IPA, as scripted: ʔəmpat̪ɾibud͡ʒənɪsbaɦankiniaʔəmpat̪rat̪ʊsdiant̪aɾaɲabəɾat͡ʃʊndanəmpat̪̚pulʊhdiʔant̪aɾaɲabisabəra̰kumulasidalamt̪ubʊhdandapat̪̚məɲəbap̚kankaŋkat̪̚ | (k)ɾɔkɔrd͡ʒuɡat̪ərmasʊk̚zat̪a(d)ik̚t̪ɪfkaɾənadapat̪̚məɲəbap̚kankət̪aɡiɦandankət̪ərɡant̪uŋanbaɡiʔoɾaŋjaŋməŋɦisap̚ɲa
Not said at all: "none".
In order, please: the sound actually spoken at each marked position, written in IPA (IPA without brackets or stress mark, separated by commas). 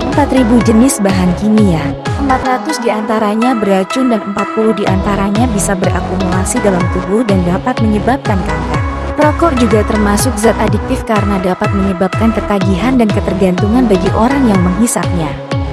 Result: p, d